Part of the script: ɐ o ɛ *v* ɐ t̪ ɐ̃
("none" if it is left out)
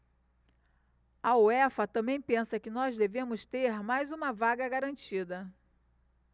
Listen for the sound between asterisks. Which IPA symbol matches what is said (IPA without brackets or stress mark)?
f